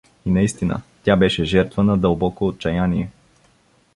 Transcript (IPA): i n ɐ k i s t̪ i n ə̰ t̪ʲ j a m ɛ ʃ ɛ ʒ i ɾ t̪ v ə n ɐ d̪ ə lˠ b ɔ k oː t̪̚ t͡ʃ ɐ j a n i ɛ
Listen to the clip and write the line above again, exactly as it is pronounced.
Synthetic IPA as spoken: i n ɐ i s t̪ i n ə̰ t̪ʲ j a b ɛ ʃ ɛ ʒ ɛ ɾ t̪ v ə n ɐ d̪ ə lˠ b ɔ k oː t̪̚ t͡ʃ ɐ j a n i ɛ